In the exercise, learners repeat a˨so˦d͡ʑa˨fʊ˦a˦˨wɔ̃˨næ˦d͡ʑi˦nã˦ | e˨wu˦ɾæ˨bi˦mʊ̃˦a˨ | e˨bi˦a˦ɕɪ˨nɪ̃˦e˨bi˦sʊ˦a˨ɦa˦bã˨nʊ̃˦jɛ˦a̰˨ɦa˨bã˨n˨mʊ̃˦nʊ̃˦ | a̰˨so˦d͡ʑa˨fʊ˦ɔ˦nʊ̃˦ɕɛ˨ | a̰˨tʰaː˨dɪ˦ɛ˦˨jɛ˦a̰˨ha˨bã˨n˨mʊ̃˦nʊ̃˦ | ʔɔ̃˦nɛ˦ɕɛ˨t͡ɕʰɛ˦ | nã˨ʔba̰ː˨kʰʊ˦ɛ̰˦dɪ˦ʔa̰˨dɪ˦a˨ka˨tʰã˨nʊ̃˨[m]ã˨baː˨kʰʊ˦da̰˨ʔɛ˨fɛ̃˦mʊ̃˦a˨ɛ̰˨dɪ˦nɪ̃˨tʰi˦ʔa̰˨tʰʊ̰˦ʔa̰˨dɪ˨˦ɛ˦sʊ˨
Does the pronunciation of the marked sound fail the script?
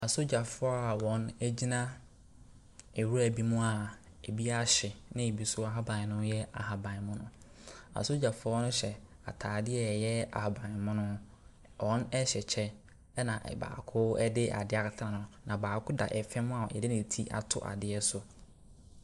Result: yes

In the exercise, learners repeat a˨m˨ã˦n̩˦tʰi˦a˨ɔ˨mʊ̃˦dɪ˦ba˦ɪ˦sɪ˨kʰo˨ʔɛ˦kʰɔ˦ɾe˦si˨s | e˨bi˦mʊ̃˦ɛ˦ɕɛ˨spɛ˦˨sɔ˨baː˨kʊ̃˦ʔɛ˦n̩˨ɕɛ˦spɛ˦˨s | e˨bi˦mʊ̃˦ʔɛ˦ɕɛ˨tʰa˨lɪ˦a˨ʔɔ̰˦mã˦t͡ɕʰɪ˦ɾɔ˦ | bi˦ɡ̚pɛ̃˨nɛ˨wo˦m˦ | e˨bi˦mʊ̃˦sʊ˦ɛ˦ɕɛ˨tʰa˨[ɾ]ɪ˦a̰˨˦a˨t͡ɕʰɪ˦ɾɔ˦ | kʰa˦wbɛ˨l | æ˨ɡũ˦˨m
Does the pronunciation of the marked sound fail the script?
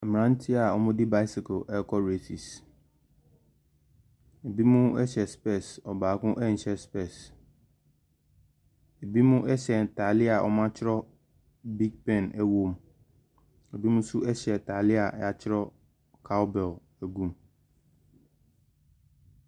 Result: yes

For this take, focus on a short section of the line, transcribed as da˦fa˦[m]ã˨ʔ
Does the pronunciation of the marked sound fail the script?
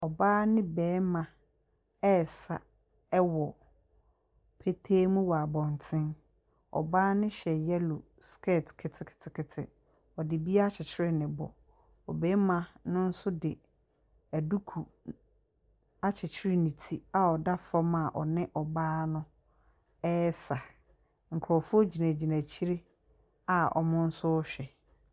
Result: no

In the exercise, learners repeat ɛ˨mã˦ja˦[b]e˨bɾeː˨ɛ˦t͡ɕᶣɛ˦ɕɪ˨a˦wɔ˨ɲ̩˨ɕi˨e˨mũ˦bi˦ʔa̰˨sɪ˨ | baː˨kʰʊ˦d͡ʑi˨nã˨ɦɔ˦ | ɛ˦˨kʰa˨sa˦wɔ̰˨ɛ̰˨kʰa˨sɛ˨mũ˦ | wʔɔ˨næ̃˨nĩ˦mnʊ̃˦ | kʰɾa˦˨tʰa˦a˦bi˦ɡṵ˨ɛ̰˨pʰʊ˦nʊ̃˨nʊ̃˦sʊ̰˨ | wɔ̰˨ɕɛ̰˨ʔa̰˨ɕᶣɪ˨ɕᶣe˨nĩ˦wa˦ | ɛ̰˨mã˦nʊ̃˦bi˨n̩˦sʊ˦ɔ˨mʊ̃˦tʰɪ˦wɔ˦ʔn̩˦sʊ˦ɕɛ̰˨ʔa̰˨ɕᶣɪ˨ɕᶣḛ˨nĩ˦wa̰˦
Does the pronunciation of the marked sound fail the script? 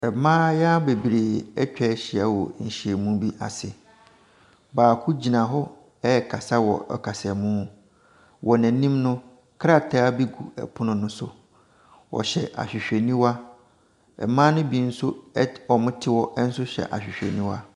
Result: no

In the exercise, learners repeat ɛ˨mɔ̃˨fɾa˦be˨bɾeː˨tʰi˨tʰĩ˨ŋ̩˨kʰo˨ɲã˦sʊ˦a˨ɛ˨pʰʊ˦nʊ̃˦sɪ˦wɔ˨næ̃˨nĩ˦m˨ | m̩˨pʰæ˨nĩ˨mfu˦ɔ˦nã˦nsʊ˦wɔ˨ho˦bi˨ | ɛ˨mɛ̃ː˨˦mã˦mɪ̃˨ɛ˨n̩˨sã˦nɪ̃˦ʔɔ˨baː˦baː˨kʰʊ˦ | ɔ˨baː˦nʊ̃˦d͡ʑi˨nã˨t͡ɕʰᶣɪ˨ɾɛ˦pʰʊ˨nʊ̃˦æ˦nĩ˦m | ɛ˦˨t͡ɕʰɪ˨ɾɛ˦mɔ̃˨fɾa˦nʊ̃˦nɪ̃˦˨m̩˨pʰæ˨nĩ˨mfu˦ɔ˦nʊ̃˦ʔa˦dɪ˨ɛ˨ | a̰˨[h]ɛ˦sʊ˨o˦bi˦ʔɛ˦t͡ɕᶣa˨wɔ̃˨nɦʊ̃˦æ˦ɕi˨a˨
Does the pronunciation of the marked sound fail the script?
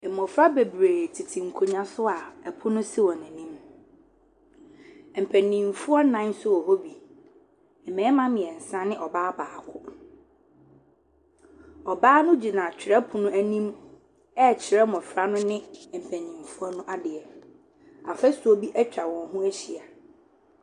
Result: yes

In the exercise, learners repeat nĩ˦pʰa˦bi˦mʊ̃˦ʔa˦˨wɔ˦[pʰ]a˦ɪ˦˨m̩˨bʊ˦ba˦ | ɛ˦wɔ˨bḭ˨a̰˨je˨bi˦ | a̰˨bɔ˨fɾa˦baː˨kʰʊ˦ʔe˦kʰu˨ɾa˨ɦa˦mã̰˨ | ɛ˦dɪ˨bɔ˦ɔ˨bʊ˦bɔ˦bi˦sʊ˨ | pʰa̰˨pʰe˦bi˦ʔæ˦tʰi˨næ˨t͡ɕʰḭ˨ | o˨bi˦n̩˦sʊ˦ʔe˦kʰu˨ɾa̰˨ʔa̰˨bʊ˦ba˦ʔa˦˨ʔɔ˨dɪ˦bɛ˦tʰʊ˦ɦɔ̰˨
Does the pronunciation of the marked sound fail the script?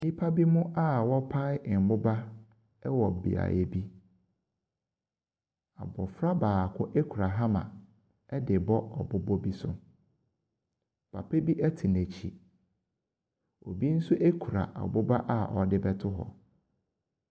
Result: no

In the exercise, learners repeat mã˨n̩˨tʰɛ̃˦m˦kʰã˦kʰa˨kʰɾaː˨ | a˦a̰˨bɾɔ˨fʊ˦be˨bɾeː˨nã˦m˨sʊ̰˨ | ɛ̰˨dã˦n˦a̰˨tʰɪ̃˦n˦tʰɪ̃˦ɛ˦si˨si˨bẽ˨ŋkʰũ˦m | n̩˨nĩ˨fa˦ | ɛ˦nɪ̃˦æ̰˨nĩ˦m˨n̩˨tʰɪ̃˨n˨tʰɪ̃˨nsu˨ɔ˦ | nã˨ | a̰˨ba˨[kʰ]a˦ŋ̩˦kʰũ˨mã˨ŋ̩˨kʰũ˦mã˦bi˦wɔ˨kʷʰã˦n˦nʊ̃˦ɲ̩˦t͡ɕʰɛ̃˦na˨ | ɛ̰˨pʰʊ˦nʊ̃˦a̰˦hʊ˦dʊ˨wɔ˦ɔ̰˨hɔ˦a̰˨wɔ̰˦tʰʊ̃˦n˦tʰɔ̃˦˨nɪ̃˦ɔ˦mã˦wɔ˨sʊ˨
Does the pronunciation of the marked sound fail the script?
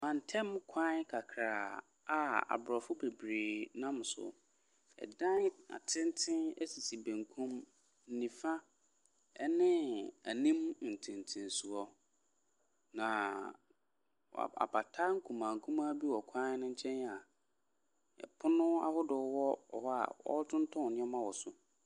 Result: yes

